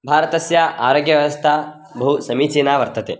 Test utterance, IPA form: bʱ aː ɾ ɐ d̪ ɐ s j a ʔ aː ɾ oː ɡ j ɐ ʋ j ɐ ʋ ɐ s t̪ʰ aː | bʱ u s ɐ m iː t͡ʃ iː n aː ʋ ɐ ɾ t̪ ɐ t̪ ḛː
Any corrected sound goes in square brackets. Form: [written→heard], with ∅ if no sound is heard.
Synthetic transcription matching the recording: bʱ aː ɾ ɐ [d̪→t̪] ɐ s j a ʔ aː ɾ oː ɡ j ɐ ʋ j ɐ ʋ ɐ s t̪ʰ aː | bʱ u s ɐ m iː t͡ʃ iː n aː ʋ ɐ ɾ t̪ ɐ t̪ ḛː